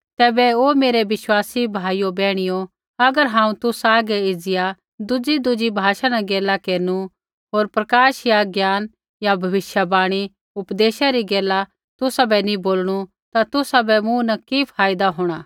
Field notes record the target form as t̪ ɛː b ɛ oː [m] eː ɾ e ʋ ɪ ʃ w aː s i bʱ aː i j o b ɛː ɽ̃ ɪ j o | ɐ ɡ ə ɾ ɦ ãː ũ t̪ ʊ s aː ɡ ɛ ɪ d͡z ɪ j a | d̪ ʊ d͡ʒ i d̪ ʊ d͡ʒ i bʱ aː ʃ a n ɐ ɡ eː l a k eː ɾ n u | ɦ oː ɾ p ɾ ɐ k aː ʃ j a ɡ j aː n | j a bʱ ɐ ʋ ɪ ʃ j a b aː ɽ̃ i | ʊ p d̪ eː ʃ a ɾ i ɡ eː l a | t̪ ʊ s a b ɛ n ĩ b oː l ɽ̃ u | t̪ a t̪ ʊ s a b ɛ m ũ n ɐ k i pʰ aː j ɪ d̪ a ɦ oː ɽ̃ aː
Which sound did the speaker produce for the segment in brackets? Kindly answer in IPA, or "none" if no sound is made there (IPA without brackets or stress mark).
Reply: m